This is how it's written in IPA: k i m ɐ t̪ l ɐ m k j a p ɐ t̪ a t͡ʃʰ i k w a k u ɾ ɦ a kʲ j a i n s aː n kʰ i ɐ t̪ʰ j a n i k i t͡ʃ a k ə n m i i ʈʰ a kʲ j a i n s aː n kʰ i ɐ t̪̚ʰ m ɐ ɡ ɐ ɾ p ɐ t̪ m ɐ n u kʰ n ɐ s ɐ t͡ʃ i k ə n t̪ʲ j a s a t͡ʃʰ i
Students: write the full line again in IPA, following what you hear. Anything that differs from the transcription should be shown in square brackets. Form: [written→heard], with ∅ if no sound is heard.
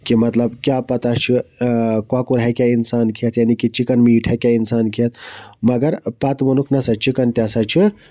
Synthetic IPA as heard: k i m ɐ t̪ l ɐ [m→b] k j a p ɐ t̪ a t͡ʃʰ i k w a k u ɾ ɦ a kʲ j a i n s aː n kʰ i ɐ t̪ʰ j a n i k i t͡ʃ [a→i] k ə n m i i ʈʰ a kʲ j a i n s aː n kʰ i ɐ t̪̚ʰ m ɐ ɡ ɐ ɾ p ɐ t̪ m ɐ n u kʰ n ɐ s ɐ t͡ʃ i k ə n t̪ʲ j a s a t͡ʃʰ i

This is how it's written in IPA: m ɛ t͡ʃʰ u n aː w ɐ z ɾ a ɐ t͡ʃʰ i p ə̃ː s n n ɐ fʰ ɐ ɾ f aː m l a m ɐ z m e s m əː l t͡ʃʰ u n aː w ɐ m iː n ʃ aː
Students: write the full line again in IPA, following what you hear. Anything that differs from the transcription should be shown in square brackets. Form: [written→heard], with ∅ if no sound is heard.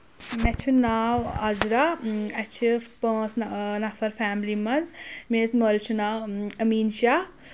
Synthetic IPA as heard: m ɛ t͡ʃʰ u n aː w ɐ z ɾ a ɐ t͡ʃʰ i p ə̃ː s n n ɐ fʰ ɐ ɾ f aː m l [a→i] m ɐ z m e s m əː l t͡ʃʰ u n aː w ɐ m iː n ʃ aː

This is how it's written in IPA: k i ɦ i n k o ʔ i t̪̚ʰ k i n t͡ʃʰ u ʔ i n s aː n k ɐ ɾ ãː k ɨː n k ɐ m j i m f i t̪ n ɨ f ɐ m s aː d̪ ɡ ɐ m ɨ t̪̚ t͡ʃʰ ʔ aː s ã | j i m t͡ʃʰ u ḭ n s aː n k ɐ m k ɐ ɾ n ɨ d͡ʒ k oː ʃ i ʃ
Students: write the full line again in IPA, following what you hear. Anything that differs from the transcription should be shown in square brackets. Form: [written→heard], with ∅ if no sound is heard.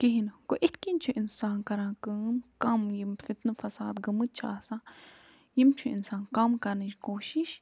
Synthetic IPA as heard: k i ɦ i n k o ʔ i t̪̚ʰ k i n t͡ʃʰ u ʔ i n s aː n k ɐ ɾ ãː k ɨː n k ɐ m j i m f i t̪ n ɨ f ɐ [m→∅] s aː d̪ ɡ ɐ m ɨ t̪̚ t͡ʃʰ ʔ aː s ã | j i m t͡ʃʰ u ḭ n s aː n k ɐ m k ɐ ɾ n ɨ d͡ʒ k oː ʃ i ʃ

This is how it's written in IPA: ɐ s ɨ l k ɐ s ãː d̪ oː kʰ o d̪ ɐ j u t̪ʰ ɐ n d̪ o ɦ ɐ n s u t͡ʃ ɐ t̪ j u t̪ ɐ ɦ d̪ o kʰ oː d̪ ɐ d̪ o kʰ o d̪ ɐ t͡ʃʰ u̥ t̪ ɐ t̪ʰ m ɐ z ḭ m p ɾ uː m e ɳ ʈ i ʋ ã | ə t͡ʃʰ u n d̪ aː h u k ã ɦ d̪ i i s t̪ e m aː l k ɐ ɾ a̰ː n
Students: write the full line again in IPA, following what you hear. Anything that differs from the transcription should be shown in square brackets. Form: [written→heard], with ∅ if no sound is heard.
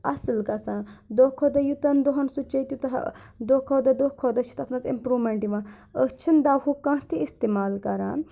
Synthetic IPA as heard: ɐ s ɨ l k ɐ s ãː d̪ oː kʰ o d̪ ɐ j u [t̪ʰ→t̪] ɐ n d̪ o ɦ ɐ n s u t͡ʃ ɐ t̪ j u t̪ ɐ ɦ d̪ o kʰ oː d̪ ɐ d̪ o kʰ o d̪ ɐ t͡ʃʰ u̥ t̪ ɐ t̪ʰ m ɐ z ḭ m p ɾ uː m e ɳ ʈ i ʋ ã | ə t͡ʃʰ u n d̪ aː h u k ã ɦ [d̪→t̪] i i s t̪ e m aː l k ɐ ɾ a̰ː n

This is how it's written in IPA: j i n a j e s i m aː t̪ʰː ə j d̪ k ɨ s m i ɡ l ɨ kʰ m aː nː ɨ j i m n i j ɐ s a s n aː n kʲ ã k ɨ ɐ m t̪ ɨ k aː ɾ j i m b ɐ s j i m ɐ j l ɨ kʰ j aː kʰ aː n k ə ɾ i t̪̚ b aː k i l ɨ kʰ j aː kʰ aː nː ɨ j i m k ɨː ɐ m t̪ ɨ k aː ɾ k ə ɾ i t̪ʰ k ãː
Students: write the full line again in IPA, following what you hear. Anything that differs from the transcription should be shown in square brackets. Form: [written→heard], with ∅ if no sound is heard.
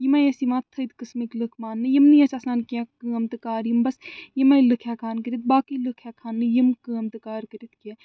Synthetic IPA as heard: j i [n→m] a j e s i m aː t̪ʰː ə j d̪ k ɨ s m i [ɡ→k] l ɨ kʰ m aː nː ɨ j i m n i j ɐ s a s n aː n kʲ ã k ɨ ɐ m t̪ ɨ k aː ɾ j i m b ɐ s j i m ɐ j l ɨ kʰ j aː kʰ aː n k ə ɾ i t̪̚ b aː k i l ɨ kʰ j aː kʰ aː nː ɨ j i m k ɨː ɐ m t̪ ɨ k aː ɾ k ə ɾ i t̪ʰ k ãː

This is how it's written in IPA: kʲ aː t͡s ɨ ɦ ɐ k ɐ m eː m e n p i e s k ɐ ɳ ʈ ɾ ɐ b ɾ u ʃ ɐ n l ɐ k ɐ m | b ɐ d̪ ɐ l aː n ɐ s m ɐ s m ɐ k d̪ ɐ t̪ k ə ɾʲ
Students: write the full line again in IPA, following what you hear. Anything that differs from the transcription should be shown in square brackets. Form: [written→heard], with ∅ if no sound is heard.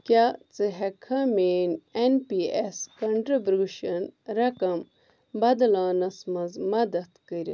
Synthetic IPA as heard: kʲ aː t͡s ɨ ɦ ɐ [k→kʰ] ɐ m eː [m→n] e n p i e s k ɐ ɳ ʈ ɾ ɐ b ɾ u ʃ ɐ n [l→ɾ] ɐ k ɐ m | b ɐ d̪ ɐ l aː n ɐ s m ɐ [s→z] m ɐ [k→∅] d̪ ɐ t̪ k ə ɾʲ

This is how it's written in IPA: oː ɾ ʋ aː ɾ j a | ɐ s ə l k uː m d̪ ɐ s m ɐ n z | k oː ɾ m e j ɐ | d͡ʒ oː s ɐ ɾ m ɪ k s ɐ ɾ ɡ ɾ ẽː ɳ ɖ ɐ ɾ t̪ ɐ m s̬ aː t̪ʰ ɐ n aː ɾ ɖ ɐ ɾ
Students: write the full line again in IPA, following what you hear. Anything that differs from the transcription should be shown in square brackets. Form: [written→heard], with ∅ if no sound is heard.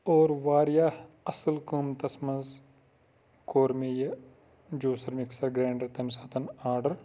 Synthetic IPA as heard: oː ɾ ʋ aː ɾ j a | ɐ s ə l k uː m [d̪→t̪] ɐ s m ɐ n z | k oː ɾ m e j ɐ | d͡ʒ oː s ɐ ɾ m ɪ k s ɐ ɾ ɡ ɾ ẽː ɳ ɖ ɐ ɾ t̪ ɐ m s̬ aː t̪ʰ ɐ n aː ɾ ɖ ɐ ɾ

